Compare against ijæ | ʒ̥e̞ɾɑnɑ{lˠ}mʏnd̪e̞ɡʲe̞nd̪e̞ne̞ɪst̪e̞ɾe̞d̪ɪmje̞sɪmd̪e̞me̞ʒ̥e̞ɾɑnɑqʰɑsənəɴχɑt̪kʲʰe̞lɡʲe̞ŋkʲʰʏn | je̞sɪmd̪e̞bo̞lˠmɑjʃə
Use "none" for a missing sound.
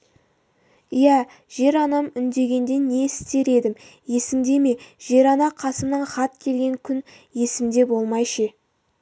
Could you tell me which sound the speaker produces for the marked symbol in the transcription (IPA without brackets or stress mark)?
none